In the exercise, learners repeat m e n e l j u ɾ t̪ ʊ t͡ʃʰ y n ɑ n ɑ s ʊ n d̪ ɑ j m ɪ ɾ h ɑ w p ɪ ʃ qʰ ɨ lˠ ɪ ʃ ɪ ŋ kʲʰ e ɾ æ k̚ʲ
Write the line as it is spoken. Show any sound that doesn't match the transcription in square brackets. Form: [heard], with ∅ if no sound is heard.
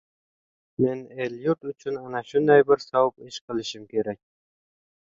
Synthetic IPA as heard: m e n e l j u ɾ t̪ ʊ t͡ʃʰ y n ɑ n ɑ [ʃ] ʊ n d̪ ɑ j [b] ɪ ɾ [s] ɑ w p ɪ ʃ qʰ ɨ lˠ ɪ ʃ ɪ [m] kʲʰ e ɾ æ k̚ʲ

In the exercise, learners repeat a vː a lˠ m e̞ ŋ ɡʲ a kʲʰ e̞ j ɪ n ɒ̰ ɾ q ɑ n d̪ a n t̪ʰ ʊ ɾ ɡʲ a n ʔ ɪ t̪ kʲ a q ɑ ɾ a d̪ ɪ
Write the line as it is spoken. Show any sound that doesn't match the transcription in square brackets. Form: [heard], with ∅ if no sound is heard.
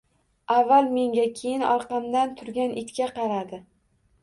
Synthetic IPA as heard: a vː a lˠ m e̞ ŋ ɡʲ a kʲʰ e̞ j ɪ n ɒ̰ ɾ q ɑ [m] d̪ a n t̪ʰ ʊ ɾ ɡʲ a n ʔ ɪ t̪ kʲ a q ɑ ɾ a d̪ ɪ

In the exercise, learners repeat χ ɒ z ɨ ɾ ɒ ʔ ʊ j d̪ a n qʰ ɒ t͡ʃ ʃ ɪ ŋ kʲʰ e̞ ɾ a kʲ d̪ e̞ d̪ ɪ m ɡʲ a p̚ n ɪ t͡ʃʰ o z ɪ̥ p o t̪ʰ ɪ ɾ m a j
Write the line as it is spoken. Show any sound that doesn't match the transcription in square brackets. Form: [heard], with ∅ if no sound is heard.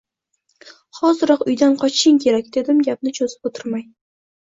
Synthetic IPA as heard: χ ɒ z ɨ ɾ ɒ [q] ʊ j d̪ a n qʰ ɒ t͡ʃ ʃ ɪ ŋ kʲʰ e̞ ɾ a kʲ d̪ e̞ d̪ ɪ m ɡʲ a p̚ n ɪ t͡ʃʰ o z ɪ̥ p o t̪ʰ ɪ ɾ m a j

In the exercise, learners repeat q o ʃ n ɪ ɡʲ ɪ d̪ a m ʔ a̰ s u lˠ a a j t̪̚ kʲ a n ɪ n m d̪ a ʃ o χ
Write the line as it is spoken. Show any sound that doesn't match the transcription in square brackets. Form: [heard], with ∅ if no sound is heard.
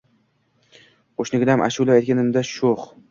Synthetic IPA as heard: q o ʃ n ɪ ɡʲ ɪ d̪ a m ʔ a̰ [ʃ] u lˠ a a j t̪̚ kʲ a n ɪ [∅] m d̪ a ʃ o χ

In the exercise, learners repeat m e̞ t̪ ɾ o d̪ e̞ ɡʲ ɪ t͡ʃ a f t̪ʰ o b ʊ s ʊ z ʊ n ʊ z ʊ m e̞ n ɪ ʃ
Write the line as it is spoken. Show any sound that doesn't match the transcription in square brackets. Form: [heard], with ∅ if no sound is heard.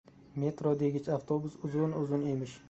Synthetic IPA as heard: m e̞ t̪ ɾ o d̪ e̞ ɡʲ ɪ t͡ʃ a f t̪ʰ o b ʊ s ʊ z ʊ n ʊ z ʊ [n] e̞ [m] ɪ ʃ

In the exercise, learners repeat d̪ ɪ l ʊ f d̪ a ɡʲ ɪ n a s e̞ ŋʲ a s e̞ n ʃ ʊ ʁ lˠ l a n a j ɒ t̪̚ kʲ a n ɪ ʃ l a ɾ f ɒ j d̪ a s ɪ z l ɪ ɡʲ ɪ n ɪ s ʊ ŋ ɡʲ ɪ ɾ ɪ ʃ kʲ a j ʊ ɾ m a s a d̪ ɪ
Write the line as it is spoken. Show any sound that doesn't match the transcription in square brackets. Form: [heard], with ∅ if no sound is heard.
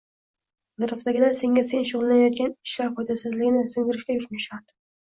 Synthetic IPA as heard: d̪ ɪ [ɾ] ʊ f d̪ a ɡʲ ɪ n a s e̞ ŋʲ a s e̞ n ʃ ʊ ʁ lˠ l a n a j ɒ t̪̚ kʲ a n ɪ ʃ l a ɾ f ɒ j d̪ a s ɪ z l ɪ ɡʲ ɪ n ɪ s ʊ ŋ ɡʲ ɪ ɾ ɪ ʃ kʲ a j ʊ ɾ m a [ʃ] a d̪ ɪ

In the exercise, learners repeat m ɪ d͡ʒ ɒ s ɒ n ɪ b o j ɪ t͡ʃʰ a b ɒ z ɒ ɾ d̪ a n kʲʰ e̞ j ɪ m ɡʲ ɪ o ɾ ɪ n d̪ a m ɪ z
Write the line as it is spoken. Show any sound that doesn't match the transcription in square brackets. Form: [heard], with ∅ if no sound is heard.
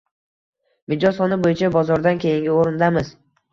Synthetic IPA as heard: m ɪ d͡ʒ ɒ s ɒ n ɪ b o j ɪ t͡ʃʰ a b ɒ z ɒ ɾ d̪ a n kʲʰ e̞ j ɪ [ŋ] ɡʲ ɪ o ɾ ɪ n d̪ a m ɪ z

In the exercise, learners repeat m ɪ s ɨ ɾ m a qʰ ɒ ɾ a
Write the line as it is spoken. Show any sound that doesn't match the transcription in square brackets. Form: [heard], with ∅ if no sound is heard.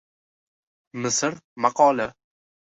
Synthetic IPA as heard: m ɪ s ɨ ɾ m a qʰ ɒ [l] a

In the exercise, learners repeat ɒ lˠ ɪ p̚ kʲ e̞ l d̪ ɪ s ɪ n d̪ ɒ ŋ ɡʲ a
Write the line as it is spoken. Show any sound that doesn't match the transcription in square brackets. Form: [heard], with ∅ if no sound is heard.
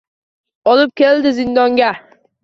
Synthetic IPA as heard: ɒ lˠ ɪ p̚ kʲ e̞ l d̪ ɪ [z] ɪ n d̪ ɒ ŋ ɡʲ a

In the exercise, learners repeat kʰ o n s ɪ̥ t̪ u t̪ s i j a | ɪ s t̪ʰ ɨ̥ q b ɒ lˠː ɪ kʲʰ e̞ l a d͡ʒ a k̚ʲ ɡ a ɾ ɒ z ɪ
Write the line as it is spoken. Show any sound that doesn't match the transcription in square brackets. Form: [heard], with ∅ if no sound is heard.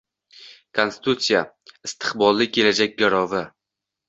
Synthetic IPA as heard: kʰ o n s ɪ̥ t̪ u t̪ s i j a | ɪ s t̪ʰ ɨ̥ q b ɒ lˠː ɪ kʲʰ e̞ l a d͡ʒ a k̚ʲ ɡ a ɾ ɒ [v] ɪ

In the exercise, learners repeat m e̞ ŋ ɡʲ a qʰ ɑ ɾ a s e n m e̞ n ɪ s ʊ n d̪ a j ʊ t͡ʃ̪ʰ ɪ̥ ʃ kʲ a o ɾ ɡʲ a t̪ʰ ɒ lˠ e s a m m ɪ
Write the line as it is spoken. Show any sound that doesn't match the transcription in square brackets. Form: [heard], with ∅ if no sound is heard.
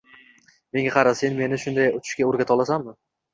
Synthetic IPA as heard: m e̞ ŋ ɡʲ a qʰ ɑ ɾ a s e n m e̞ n ɪ [ʃ] ʊ n d̪ a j ʊ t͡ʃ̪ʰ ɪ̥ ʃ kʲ a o ɾ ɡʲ a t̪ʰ ɒ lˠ [a] s a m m ɪ

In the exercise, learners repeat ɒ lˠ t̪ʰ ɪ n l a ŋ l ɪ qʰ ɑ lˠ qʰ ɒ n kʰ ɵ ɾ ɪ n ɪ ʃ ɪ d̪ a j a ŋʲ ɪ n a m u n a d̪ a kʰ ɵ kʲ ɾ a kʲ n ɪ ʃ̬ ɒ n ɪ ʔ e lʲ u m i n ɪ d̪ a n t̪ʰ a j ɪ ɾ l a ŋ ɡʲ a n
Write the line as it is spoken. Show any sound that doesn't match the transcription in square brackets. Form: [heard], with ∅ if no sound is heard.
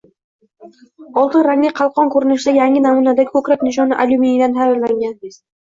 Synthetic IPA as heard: ɒ lˠ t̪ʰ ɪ n [ɾ] a ŋ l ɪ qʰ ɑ lˠ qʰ ɒ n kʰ ɵ ɾ ɪ n ɪ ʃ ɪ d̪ a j a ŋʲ ɪ n a m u n a d̪ a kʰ ɵ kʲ ɾ a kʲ n ɪ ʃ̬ ɒ n ɪ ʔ [a] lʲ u m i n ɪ d̪ a n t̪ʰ a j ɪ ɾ l a ŋ ɡʲ a n

